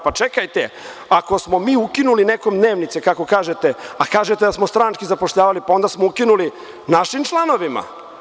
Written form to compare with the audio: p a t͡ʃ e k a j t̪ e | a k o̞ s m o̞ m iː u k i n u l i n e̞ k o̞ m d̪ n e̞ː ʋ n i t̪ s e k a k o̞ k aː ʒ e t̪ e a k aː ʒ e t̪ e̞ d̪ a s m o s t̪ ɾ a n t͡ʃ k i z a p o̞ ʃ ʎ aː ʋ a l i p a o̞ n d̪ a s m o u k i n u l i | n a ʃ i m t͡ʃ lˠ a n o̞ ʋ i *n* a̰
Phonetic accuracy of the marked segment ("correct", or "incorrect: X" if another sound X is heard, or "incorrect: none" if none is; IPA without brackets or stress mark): incorrect: m